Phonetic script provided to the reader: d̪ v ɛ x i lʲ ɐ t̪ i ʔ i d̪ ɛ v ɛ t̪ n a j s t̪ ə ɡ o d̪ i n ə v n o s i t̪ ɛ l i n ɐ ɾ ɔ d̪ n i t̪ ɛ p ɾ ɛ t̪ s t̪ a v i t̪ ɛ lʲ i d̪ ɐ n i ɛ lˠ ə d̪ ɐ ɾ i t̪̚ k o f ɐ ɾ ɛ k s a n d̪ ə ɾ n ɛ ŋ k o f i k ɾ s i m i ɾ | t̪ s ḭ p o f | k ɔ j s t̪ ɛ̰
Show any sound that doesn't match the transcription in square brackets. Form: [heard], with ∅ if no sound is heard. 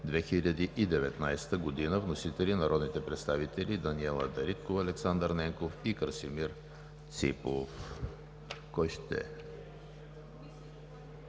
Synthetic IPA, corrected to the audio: d̪ v ɛ x i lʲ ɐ [d̪] i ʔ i d̪ ɛ v ɛ t̪ n a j s t̪ ə ɡ o d̪ i n ə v n o s i t̪ ɛ l i n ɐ ɾ ɔ d̪ n i t̪ ɛ p ɾ ɛ t̪ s t̪ a v i t̪ ɛ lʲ i d̪ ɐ n i ɛ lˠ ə d̪ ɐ ɾ i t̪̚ k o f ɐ [l] ɛ k s a n d̪ ə ɾ n ɛ ŋ k o f i k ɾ s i m i ɾ | t̪ s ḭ p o f | k ɔ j [ʃ] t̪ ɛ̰